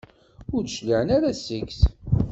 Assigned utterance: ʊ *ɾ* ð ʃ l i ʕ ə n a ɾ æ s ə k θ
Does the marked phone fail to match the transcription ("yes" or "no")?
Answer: no